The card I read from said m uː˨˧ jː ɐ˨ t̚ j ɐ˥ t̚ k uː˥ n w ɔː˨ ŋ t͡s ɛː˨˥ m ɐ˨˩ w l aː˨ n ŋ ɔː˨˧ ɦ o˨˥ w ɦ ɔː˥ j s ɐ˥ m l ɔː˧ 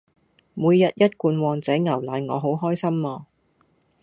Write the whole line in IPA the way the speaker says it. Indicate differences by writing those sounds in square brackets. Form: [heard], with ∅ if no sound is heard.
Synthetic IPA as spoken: m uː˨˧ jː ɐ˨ t̚ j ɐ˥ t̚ k [uː˧] n w ɔː˨ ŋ t͡s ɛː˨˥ [ŋ] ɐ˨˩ w l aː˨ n ŋ ɔː˨˧ ɦ o˨˥ w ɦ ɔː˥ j s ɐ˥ m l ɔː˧